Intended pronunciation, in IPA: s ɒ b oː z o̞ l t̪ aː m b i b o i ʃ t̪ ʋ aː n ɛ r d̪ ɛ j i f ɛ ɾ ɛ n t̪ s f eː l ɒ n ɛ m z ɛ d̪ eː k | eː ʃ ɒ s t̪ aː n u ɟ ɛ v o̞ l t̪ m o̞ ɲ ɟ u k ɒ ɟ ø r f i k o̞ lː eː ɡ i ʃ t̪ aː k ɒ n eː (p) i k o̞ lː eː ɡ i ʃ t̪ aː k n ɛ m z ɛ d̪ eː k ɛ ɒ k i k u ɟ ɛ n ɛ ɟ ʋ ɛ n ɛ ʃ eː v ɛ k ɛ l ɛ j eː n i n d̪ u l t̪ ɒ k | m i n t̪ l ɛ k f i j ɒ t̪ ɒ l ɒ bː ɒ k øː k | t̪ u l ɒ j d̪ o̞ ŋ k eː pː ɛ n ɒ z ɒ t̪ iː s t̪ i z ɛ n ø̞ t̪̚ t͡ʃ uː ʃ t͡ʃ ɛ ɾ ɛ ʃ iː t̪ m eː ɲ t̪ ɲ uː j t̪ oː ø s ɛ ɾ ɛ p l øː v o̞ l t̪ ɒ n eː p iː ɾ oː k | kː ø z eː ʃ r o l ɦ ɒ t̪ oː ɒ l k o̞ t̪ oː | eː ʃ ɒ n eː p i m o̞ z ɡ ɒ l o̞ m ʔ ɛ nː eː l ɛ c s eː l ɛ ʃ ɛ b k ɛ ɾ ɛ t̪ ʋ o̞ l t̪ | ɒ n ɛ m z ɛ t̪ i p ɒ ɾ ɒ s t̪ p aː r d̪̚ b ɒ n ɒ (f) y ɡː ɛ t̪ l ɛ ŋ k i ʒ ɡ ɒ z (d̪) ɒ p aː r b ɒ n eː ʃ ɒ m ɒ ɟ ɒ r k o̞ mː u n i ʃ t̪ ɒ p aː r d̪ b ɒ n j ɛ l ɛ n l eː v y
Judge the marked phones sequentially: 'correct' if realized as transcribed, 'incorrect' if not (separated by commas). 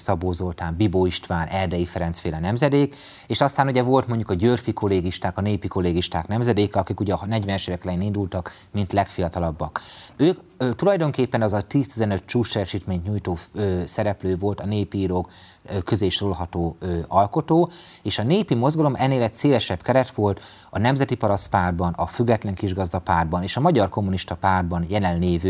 correct, correct, correct